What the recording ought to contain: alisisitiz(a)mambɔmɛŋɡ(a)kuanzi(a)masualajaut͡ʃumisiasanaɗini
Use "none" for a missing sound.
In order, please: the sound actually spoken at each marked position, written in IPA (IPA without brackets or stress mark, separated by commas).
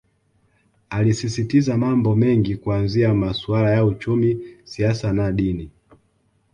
a, i, a